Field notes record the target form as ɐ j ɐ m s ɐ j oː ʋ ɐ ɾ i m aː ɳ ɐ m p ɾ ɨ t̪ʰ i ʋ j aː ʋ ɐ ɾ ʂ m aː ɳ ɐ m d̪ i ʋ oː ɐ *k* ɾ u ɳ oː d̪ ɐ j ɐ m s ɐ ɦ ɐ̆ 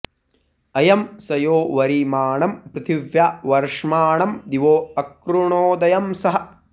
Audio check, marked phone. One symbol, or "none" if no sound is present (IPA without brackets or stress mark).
k